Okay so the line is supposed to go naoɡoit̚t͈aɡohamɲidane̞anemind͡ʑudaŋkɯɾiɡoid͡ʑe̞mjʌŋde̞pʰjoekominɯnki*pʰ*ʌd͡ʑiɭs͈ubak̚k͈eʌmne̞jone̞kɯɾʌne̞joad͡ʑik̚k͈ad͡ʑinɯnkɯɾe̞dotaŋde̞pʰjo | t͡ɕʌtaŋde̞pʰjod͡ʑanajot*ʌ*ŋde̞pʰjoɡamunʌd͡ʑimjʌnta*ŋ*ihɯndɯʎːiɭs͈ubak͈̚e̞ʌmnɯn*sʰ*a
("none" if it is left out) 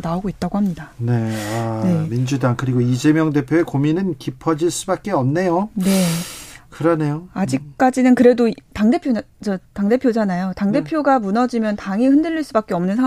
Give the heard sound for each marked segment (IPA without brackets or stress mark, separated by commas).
pʰ, a, ŋ, sʰ